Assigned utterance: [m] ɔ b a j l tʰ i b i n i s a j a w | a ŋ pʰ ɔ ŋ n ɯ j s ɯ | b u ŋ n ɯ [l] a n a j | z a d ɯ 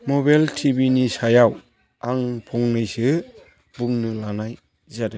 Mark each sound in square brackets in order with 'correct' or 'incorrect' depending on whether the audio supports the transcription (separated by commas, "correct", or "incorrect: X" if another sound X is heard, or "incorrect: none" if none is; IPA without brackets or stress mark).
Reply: correct, correct